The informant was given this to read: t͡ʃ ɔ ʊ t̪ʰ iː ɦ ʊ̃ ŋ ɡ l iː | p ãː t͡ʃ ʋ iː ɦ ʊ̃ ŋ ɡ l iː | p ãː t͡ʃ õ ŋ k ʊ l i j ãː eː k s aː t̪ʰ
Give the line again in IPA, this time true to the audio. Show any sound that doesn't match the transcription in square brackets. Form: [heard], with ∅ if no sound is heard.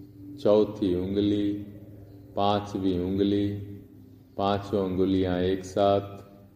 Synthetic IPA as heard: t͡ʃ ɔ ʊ t̪ʰ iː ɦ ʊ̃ ŋ ɡ l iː | p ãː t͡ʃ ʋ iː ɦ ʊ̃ ŋ ɡ l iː | p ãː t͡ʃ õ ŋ [ɡ] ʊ l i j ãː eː k s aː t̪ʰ